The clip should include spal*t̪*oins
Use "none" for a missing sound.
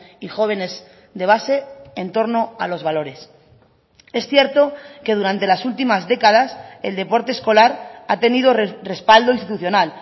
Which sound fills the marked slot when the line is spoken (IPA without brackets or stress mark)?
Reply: d̪